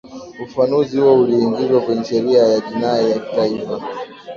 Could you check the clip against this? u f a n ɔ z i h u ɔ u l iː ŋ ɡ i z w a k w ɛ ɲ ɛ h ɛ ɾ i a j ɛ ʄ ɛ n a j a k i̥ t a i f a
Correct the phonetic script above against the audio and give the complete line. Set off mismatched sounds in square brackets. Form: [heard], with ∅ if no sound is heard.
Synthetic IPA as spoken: u f a n [u] z i h u ɔ u l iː ŋ ɡ i z w a k w ɛ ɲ ɛ [ʃ] ɛ ɾ i a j [a] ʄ [i] n a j a k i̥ t a i f a